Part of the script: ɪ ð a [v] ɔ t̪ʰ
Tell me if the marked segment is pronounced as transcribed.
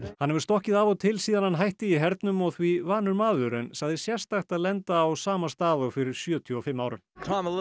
yes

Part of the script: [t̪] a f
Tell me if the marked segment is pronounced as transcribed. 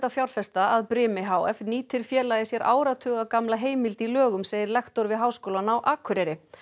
yes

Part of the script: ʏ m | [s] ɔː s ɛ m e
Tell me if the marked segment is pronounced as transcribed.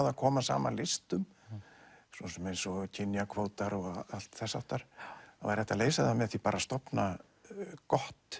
yes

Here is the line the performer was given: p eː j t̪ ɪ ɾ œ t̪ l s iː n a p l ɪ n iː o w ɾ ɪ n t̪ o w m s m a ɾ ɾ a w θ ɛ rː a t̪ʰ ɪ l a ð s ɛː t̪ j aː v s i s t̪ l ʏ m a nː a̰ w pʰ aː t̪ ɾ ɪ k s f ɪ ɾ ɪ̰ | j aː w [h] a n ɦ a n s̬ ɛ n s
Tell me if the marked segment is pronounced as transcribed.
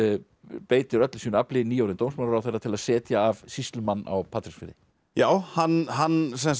yes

